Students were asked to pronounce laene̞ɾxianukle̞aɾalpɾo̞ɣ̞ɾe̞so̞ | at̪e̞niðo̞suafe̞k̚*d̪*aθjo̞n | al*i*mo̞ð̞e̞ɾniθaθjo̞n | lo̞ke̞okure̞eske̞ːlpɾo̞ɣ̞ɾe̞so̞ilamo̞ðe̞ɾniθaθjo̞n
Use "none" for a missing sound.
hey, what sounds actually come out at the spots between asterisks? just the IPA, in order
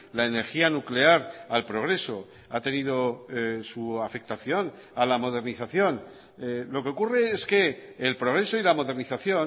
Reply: t̪, a

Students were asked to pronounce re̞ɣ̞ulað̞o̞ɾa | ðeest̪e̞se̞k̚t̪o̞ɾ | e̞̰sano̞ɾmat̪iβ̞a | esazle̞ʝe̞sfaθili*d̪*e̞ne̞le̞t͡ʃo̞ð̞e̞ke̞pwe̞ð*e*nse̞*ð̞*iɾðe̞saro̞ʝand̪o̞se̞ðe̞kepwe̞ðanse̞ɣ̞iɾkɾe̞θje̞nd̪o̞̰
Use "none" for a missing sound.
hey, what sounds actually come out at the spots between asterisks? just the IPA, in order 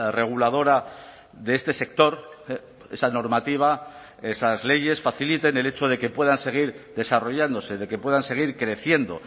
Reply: t̪, a, ɣ̞

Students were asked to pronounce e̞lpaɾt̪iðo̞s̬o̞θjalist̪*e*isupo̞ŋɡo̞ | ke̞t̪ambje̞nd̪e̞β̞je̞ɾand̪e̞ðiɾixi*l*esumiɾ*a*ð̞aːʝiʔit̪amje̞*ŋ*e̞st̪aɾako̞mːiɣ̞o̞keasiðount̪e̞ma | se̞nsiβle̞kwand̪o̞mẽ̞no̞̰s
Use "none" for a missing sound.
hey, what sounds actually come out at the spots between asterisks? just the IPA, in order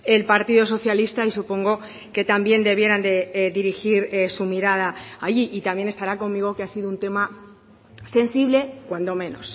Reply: a, ɾ, a, n

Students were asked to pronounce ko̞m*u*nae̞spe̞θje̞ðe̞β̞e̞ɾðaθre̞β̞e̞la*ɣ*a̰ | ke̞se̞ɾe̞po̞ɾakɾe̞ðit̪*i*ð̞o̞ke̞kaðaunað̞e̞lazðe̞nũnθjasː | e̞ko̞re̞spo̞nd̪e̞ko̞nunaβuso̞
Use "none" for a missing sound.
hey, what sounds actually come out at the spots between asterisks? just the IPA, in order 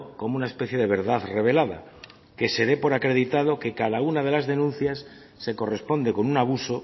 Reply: u, ð, a

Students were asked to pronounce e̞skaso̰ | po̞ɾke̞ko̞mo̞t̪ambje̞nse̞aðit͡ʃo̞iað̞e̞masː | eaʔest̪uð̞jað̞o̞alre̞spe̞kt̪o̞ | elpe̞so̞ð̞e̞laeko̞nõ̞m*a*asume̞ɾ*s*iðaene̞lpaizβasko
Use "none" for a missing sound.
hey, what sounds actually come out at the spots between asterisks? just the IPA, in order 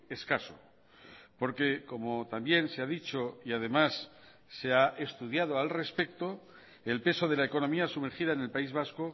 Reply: i, x

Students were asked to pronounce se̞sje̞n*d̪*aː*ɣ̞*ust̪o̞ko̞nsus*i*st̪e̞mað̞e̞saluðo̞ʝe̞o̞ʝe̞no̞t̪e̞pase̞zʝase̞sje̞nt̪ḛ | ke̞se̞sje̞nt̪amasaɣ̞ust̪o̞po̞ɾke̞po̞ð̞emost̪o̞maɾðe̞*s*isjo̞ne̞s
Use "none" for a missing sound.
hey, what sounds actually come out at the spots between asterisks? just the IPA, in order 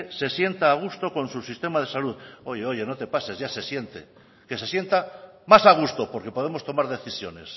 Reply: t̪, ɣ̞, i, θ

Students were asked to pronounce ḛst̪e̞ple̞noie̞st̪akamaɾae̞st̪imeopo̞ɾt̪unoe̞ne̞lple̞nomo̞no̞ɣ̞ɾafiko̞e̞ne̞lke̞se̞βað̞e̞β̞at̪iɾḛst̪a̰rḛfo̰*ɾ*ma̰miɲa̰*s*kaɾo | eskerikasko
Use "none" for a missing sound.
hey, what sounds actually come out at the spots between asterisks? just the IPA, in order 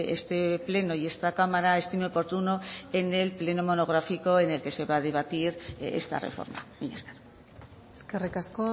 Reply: ɾ, s

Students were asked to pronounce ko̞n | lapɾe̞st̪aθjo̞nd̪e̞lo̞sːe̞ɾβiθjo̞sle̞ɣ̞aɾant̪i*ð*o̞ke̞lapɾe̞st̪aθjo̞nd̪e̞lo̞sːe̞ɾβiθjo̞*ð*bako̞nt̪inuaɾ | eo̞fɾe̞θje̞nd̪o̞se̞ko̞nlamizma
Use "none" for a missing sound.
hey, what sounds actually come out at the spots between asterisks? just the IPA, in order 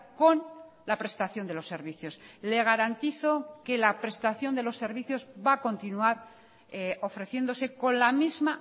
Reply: θ, z

